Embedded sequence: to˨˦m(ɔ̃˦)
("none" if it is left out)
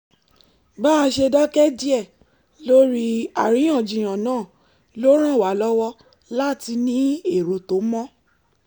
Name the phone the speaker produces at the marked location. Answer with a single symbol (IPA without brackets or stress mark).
ɔ̃˦